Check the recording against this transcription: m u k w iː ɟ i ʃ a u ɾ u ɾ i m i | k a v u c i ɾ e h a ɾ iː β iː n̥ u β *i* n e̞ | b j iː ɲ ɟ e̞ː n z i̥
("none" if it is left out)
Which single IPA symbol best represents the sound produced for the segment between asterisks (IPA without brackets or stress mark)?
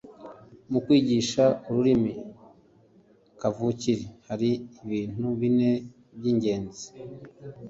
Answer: i